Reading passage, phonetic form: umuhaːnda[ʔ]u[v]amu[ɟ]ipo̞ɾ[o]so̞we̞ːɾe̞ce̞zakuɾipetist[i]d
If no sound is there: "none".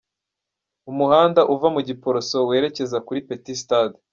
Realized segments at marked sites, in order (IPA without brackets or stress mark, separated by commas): ʔ, v, ɟ, o, a